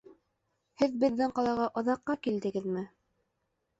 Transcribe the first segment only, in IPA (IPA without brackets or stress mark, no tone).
h